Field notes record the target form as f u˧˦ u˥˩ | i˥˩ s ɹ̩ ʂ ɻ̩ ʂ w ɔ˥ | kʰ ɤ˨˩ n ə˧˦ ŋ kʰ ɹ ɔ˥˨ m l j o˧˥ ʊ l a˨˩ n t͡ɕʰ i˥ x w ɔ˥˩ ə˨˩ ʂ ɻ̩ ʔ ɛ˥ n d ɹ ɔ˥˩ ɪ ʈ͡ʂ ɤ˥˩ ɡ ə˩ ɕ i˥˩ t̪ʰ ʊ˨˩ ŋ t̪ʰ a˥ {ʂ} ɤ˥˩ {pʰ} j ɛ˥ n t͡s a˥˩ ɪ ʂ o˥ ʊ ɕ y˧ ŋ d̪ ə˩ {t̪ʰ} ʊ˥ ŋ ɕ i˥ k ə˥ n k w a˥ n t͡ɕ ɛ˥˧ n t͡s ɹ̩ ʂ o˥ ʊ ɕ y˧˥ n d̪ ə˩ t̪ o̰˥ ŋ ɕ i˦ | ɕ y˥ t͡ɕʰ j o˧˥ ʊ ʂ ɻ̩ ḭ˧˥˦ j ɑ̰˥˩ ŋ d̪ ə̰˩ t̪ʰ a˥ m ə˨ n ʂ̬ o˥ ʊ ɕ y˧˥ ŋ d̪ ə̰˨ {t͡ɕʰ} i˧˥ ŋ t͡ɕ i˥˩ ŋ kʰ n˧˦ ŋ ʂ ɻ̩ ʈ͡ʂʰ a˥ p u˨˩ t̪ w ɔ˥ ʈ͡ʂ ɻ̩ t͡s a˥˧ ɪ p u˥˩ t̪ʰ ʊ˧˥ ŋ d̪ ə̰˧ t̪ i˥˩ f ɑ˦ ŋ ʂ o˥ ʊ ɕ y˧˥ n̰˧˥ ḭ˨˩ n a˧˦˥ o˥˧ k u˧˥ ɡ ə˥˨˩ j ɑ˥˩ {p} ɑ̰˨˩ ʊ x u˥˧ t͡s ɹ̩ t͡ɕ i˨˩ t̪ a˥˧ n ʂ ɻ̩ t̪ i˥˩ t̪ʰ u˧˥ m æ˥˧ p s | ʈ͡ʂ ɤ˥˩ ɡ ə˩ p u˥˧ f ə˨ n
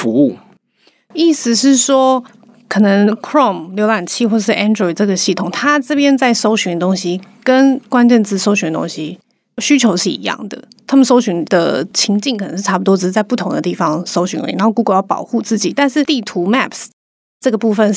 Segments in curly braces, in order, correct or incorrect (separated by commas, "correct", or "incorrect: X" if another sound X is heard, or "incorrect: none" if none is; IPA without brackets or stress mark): incorrect: ʈ͡ʂ, incorrect: p, incorrect: t̪, correct, correct